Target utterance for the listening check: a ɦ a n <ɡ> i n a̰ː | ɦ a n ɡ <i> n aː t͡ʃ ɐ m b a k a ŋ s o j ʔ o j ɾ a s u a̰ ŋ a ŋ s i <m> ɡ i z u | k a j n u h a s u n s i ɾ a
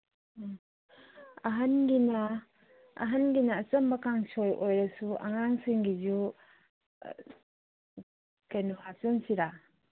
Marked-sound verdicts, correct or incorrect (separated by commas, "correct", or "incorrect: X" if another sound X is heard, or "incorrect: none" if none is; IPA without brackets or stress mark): correct, correct, incorrect: ŋ